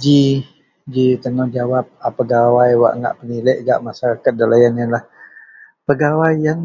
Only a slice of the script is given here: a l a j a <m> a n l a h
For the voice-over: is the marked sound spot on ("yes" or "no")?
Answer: no